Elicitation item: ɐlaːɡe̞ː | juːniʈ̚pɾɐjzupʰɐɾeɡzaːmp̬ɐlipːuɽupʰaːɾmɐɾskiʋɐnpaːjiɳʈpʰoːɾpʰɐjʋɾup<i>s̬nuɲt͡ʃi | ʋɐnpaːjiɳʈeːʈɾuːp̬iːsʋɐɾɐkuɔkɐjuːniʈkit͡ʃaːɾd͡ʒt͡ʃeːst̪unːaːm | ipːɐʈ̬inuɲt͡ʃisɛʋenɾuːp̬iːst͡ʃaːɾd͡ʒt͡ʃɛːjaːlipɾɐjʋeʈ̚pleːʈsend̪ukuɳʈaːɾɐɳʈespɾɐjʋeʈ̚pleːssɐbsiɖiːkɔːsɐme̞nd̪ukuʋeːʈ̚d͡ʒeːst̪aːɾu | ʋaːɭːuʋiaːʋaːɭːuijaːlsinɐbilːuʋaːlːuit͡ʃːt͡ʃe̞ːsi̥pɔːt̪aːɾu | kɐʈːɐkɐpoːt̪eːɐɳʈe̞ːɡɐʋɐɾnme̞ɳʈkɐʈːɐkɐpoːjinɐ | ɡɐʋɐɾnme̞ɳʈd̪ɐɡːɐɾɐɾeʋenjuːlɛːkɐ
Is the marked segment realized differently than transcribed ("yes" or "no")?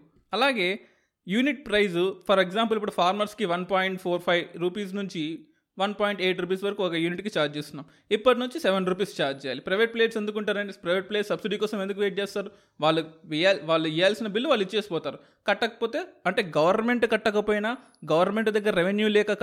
yes